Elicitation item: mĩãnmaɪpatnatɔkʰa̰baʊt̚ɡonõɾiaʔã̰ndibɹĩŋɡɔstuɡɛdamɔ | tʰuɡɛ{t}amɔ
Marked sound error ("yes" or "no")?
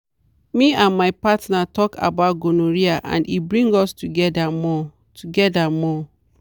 yes